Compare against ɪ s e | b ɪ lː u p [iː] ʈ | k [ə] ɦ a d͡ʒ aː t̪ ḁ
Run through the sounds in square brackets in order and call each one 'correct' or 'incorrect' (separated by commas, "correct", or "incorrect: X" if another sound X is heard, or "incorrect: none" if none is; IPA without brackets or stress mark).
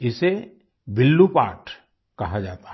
incorrect: aː, incorrect: ɐ